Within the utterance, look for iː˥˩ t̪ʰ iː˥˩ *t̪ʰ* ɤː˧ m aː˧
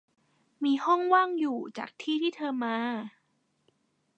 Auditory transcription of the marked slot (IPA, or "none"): t̪ʰ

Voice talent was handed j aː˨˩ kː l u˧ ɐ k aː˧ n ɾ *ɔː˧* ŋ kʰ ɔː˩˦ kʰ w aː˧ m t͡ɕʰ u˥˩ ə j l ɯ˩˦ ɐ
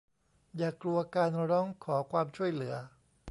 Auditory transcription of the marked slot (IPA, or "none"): ɔː˦˥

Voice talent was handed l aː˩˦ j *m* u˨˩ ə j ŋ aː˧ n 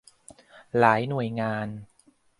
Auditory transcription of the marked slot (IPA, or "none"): n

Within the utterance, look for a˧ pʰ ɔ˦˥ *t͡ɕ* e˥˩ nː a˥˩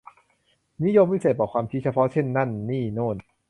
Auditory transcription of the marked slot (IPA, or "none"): t͡ɕʰ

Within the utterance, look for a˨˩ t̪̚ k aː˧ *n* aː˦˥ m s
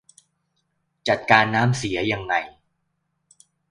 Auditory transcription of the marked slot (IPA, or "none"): nː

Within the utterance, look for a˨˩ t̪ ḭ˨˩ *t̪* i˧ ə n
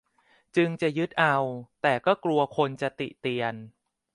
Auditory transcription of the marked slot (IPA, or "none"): t̪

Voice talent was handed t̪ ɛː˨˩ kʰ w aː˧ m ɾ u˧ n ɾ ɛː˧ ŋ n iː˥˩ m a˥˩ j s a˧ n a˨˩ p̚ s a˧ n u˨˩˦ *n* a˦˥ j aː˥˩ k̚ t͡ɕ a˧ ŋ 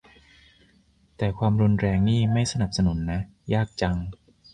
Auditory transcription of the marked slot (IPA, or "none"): nː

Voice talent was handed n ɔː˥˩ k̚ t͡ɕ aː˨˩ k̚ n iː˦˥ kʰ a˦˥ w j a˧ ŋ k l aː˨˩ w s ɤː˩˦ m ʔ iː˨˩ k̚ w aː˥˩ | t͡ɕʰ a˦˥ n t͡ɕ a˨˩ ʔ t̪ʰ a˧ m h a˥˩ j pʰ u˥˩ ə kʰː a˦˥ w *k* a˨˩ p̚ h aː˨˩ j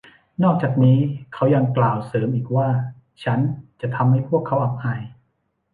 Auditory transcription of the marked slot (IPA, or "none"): ʔ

